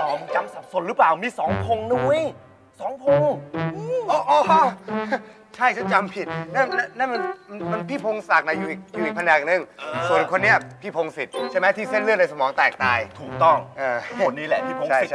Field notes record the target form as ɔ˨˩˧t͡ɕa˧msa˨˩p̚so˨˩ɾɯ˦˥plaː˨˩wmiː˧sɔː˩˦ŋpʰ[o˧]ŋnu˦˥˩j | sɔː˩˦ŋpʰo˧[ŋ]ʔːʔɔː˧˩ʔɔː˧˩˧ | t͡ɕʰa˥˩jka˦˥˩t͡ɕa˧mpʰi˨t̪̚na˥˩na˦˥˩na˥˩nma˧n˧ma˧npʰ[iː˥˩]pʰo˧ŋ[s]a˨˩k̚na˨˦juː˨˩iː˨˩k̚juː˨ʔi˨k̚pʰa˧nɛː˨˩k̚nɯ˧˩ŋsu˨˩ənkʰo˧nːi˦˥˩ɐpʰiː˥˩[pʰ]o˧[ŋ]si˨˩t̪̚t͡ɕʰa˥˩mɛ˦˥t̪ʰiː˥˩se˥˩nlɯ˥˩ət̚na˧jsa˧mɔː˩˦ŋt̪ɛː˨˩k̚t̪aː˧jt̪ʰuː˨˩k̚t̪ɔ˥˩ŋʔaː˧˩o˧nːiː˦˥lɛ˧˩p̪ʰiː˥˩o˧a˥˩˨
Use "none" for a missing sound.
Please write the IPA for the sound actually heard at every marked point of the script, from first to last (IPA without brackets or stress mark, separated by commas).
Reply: o˧, ŋ, iː˥˩, s, pʰ, ŋ